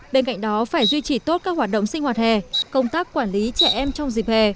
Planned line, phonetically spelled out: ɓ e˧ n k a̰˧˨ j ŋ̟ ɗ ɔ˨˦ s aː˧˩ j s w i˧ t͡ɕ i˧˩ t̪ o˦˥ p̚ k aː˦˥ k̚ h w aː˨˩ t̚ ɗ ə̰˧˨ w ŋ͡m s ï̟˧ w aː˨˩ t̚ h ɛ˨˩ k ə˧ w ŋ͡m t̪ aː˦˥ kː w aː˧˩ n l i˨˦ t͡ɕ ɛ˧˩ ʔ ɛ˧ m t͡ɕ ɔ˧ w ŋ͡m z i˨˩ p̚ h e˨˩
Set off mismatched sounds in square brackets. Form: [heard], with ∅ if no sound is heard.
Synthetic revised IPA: ɓ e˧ n k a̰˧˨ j ŋ̟ ɗ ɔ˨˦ [f] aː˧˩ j [z] w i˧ t͡ɕ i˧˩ t̪ o˦˥ [t̚] k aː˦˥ k̚ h w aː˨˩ t̚ ɗ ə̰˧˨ w ŋ͡m s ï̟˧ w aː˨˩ t̚ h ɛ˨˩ k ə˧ w ŋ͡m t̪ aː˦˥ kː w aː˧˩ n l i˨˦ t͡ɕ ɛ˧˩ ʔ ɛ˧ m t͡ɕ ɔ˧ w ŋ͡m z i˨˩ p̚ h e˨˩